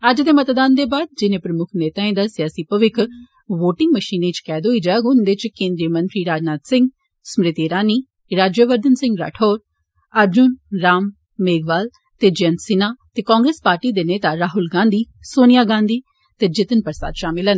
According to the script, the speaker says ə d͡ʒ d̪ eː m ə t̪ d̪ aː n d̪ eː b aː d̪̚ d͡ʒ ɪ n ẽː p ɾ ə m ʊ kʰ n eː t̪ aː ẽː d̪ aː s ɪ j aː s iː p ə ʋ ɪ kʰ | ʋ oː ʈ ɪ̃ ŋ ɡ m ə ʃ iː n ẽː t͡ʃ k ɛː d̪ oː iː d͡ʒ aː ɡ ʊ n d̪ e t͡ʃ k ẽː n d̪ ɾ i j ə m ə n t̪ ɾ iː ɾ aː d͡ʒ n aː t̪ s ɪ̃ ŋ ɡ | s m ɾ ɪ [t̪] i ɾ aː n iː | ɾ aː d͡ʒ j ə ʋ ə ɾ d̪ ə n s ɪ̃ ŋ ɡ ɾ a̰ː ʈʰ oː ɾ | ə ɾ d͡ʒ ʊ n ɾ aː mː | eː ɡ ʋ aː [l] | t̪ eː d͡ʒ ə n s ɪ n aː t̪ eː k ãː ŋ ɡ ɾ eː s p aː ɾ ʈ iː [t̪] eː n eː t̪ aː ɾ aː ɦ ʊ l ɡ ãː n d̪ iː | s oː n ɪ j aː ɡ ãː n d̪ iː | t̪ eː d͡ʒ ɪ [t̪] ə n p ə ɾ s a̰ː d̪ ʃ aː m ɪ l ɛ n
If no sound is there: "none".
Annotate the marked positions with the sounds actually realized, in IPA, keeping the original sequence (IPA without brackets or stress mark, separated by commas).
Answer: t̪, l, d̪, t̪